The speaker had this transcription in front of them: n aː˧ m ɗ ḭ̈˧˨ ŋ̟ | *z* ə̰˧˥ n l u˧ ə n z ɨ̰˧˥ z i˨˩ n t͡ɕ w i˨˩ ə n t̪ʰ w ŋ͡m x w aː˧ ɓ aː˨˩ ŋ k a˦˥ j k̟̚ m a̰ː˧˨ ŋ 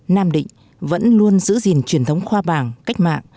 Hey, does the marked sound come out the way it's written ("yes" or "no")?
no